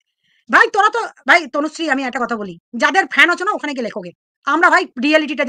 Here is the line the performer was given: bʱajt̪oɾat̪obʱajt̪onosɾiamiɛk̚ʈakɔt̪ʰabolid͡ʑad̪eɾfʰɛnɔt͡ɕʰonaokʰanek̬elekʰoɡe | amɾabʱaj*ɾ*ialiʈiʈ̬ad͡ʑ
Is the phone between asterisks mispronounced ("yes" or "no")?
no